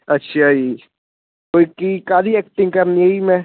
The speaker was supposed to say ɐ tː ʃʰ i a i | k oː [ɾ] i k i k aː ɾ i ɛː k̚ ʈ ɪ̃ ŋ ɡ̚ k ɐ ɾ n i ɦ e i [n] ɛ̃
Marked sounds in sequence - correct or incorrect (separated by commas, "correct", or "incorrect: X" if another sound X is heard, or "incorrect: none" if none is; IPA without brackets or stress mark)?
incorrect: none, incorrect: m